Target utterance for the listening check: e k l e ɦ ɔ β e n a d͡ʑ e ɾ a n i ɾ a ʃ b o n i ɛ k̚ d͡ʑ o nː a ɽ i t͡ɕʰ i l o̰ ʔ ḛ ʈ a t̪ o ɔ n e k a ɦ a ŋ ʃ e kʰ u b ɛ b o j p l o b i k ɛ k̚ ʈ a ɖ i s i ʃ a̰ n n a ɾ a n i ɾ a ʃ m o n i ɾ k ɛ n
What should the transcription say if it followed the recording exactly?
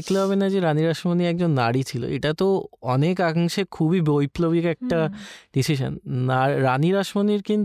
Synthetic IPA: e k l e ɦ ɔ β e n a d͡ʑ e ɾ a n i ɾ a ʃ m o n i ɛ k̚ d͡ʑ o nː a ɽ i t͡ɕʰ i l o̰ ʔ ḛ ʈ a t̪ o ɔ n e k a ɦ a ŋ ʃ e kʰ u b i b o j p l o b i k ɛ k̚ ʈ a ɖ i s i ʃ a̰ n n a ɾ a n i ɾ a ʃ m o n i ɾ k i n